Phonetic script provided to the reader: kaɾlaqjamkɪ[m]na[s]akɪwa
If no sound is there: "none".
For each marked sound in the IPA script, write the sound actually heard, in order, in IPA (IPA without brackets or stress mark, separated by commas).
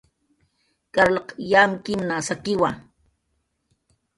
m, s